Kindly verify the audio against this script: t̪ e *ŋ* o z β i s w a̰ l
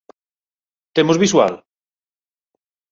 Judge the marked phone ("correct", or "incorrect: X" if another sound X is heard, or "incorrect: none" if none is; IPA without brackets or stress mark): incorrect: m